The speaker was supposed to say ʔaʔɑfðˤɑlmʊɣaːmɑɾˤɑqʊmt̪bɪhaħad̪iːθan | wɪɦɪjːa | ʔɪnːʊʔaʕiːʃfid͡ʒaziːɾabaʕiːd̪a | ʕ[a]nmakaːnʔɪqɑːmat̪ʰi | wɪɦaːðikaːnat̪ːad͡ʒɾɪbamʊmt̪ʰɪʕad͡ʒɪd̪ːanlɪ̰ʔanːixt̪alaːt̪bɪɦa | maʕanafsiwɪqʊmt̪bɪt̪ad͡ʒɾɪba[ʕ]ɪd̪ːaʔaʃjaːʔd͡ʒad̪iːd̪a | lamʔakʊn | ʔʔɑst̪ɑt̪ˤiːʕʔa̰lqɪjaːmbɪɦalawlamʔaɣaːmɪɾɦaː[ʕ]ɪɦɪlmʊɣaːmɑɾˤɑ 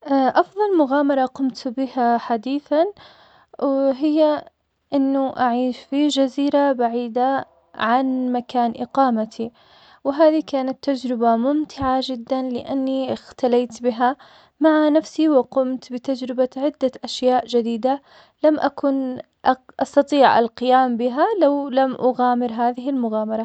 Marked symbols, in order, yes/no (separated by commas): yes, yes, no